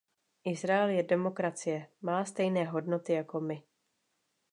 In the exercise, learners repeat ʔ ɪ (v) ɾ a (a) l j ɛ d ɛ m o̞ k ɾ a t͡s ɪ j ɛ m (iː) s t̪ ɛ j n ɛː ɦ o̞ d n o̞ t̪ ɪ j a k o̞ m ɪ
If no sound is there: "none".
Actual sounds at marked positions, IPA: z, ɛ, aː

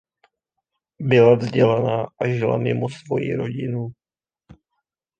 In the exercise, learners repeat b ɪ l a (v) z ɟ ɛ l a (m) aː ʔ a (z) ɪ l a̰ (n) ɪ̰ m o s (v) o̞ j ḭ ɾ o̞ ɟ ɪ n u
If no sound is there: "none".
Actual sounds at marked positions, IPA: v, n, ʒ, m, v

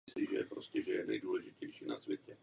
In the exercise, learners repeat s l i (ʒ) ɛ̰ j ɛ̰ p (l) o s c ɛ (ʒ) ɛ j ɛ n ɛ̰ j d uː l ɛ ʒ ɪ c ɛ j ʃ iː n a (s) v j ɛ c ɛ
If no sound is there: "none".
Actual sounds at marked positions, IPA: ʒ, ɾ, ʒ, s

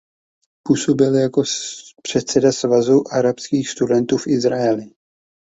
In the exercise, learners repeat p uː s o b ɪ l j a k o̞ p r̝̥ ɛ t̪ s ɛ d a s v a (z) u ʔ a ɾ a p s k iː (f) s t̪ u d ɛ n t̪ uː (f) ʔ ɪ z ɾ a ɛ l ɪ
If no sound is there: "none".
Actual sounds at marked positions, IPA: z, x, f

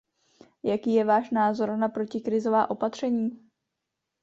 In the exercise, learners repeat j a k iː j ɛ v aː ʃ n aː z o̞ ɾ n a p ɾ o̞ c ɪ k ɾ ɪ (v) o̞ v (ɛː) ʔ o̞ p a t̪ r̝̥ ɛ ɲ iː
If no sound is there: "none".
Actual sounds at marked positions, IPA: z, aː

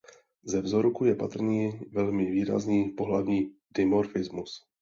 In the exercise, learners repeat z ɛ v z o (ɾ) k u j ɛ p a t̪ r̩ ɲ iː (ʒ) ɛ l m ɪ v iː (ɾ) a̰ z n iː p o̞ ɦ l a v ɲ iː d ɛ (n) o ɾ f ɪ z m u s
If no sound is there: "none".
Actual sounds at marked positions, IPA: ɾ, v, ɾ, m

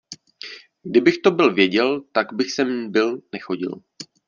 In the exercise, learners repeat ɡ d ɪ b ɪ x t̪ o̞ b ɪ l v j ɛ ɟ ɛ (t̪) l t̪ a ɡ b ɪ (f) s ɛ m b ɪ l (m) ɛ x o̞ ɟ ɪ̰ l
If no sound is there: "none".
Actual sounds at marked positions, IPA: none, x, n

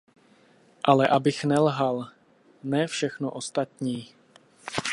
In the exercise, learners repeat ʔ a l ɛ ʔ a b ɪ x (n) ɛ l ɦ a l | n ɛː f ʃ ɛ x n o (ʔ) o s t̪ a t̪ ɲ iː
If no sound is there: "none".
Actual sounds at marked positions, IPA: n, ʔ

